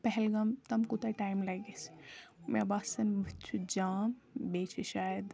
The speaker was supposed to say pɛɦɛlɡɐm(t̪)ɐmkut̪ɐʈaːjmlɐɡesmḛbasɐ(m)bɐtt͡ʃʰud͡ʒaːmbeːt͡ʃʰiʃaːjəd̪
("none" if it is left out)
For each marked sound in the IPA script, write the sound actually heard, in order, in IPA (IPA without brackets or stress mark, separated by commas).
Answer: t̪, n